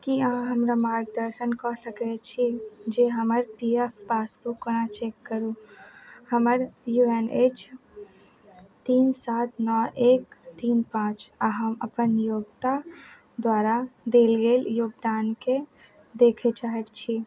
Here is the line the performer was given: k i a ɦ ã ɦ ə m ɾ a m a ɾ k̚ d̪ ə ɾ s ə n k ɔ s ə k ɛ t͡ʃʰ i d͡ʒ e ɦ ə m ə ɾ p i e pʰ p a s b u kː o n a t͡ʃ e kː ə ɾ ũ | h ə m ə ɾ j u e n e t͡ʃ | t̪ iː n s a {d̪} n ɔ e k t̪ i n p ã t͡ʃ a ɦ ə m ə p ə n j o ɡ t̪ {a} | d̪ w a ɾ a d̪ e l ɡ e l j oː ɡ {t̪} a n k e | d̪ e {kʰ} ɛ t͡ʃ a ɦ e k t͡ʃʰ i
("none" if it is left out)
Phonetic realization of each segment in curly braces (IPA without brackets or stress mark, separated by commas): t̪, a, d̪, kʰ